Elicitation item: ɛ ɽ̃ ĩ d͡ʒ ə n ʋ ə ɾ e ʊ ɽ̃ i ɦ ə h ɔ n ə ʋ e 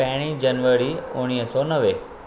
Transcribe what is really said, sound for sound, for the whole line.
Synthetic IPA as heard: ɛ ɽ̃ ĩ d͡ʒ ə n ʋ ə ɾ i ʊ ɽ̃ i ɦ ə s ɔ n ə ʋ e

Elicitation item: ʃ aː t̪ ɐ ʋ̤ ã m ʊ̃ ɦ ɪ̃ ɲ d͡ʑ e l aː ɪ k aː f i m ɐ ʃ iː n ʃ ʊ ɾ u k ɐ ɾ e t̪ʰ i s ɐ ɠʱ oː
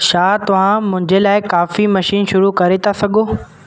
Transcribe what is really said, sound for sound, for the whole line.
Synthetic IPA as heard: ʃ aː t̪ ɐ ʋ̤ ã m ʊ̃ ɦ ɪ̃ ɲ d͡ʑ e l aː ɪ k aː f i m ɐ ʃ iː n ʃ ʊ ɾ u k ɐ ɾ e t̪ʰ a s ɐ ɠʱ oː

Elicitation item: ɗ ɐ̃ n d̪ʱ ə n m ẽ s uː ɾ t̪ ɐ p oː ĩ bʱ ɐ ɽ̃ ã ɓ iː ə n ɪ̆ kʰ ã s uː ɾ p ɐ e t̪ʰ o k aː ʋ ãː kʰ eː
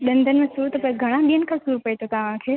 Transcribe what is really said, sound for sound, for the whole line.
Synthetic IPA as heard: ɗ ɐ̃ n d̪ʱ ə n m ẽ s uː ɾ t̪ ɐ p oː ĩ ɡʱ ɐ ɽ̃ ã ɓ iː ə n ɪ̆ kʰ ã s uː ɾ p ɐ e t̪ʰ o k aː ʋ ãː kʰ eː

